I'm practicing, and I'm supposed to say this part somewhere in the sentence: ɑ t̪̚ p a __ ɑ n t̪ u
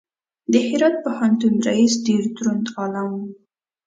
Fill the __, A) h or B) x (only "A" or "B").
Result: A